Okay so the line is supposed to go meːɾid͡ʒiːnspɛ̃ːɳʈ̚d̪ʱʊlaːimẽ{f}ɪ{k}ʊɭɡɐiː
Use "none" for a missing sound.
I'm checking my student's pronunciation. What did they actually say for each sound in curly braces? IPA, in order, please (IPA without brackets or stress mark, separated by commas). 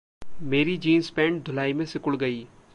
s, k